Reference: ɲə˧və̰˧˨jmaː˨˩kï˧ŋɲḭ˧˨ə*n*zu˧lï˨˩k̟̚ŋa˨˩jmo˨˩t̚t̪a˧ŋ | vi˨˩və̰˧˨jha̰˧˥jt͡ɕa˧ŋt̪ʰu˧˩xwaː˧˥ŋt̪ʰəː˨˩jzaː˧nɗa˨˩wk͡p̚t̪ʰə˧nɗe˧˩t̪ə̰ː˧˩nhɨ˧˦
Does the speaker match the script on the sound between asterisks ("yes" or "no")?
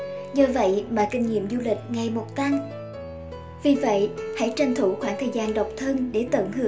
no